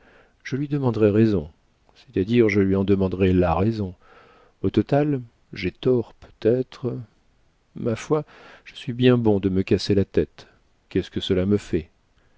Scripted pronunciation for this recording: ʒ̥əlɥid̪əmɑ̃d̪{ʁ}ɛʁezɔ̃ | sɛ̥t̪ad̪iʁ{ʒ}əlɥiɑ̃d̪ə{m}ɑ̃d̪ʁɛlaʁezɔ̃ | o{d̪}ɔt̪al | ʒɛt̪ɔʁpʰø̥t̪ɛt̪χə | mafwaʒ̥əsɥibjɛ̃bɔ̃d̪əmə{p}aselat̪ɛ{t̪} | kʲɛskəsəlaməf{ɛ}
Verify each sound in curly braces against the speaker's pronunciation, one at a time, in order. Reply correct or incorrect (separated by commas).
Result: correct, correct, correct, incorrect, incorrect, correct, correct